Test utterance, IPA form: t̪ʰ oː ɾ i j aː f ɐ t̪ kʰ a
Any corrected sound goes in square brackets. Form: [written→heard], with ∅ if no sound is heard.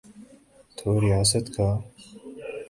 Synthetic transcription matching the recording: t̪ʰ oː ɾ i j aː [f→s] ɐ t̪ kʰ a

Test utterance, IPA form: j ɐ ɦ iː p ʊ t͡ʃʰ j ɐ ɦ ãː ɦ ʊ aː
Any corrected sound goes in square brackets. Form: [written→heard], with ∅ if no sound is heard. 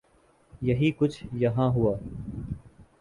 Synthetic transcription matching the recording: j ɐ ɦ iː [p→k] ʊ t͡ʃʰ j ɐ ɦ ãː ɦ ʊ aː

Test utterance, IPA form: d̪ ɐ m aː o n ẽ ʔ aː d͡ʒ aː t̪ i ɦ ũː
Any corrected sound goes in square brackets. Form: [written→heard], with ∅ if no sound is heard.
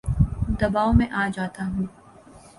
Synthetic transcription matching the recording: d̪ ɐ [m→b] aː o [n→m] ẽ ʔ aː d͡ʒ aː t̪ [i→a] ɦ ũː

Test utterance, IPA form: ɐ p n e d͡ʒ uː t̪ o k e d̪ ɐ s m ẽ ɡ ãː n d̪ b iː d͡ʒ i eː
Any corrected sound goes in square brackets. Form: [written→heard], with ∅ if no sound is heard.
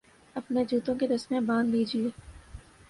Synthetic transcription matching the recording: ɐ p n e d͡ʒ uː t̪ [o→õ] k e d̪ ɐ s m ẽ [ɡ→b] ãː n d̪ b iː d͡ʒ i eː

